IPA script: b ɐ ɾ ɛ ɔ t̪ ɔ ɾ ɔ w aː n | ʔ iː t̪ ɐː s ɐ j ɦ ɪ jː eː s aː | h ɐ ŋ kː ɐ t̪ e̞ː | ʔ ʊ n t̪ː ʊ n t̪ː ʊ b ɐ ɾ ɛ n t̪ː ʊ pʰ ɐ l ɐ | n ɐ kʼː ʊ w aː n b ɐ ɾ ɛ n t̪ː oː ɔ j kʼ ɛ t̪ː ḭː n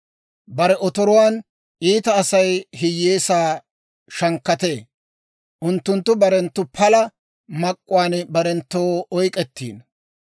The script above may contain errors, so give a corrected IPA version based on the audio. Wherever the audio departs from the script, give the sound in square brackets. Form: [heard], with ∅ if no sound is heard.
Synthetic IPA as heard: b ɐ ɾ ɛ ɔ t̪ ɔ ɾ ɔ w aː n | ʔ iː t̪ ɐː s ɐ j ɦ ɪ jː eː s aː | [ʃ] ɐ ŋ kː ɐ t̪ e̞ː | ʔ ʊ n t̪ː ʊ n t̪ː ʊ b ɐ ɾ ɛ n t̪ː ʊ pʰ ɐ l ɐ | [m] ɐ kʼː ʊ w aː n b ɐ ɾ ɛ n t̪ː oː ɔ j kʼ ɛ t̪ː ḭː n